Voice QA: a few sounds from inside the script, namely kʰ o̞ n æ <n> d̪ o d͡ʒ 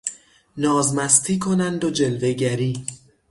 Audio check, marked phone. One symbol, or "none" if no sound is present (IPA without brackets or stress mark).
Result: n